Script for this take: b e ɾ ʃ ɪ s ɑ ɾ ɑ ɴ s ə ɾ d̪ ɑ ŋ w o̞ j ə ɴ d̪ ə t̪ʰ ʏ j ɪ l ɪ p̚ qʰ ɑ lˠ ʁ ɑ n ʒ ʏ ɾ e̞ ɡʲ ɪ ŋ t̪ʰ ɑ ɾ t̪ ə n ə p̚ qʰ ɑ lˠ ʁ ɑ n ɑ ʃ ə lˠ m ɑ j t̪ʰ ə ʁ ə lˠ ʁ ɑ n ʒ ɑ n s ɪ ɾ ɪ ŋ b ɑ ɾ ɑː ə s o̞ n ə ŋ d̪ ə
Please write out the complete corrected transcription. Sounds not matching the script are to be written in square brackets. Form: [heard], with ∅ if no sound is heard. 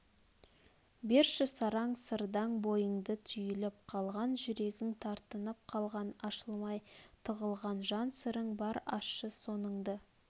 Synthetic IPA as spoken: b e ɾ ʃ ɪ s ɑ ɾ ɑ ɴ s ə ɾ d̪ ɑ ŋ [b] o̞ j ə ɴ d̪ ə t̪ʰ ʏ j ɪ l ɪ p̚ qʰ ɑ lˠ ʁ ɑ n ʒ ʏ ɾ e̞ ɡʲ ɪ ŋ t̪ʰ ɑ ɾ t̪ ə n ə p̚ qʰ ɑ lˠ ʁ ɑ n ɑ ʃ ə lˠ m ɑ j t̪ʰ ə ʁ ə lˠ ʁ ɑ n ʒ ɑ n s ɪ ɾ ɪ ŋ b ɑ ɾ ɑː ə s o̞ n ə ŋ d̪ ə

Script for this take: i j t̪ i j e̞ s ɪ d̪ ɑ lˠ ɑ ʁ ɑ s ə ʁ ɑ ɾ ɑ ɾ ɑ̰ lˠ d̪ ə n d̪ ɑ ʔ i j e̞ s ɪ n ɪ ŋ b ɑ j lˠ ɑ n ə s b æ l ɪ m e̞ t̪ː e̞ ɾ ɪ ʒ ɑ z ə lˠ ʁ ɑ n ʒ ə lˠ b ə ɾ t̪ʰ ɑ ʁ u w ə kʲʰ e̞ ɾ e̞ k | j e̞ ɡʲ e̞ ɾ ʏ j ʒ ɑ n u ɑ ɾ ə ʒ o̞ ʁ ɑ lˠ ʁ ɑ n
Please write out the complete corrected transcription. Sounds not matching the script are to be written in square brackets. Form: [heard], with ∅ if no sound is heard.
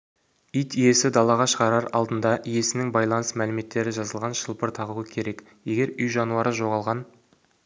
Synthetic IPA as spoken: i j t̪ i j e̞ s ɪ d̪ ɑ lˠ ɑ ʁ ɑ [ʃ] ə ʁ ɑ ɾ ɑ ɾ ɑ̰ lˠ d̪ ə n d̪ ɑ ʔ i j e̞ s ɪ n ɪ ŋ b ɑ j lˠ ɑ n ə s [m] æ l ɪ m e̞ t̪ː e̞ ɾ ɪ ʒ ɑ z ə lˠ ʁ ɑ n [ʃ] ə lˠ [p] ə ɾ t̪ʰ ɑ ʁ u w ə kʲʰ e̞ ɾ e̞ k | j e̞ ɡʲ e̞ ɾ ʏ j ʒ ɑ n u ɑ ɾ ə ʒ o̞ ʁ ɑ lˠ ʁ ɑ n

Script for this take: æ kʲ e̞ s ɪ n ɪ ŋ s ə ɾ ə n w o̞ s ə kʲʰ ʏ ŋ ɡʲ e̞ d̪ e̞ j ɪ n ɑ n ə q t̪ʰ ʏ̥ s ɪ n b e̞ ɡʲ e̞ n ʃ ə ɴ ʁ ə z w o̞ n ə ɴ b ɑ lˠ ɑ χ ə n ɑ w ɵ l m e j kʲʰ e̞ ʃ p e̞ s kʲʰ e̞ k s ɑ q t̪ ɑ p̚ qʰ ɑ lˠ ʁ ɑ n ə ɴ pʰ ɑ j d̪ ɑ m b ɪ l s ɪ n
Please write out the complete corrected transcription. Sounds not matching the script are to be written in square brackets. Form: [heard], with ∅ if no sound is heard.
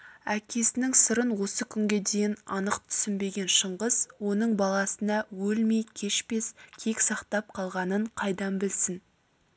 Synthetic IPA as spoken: æ kʲ e̞ s ɪ n ɪ ŋ s ə ɾ ə n w o̞ s ə kʲʰ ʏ ŋ ɡʲ e̞ d̪ e̞ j ɪ n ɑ n ə q t̪ʰ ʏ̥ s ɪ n b e̞ ɡʲ e̞ n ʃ ə ɴ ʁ ə z w o̞ n ə ɴ b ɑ lˠ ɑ [s] ə n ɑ w ɵ l m e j kʲʰ e̞ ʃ p e̞ s kʲʰ e̞ k s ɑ q t̪ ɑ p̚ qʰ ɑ lˠ ʁ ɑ n ə ɴ [qʰ] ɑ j d̪ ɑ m b ɪ l s ɪ n

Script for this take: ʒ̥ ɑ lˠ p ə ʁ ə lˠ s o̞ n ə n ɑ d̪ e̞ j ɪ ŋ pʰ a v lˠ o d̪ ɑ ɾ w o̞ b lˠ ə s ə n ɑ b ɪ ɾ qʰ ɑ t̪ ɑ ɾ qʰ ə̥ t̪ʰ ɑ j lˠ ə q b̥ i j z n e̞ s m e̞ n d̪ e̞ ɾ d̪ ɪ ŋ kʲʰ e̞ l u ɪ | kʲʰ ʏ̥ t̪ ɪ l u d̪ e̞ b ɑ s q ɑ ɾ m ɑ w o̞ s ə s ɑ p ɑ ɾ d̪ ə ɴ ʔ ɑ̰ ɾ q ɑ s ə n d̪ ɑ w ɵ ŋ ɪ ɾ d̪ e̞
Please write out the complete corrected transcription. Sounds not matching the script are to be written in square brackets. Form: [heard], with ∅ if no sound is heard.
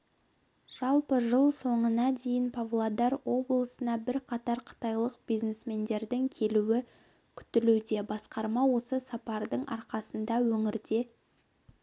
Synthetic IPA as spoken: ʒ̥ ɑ lˠ p ə [ʒ] ə lˠ s o̞ [ɴ] ə n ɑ d̪ e̞ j ɪ [n] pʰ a v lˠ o d̪ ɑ ɾ w o̞ b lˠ ə s ə n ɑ b ɪ ɾ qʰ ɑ t̪ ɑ ɾ qʰ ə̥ [t̪] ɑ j lˠ ə q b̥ i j z n e̞ s m e̞ n d̪ e̞ ɾ d̪ ɪ ŋ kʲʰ e̞ l u ɪ | kʲʰ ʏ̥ t̪ ɪ l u d̪ e̞ b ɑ s q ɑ ɾ m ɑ w o̞ s ə s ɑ p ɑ ɾ d̪ ə ɴ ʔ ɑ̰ ɾ q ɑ s ə n d̪ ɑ w ɵ ŋ ɪ ɾ d̪ e̞

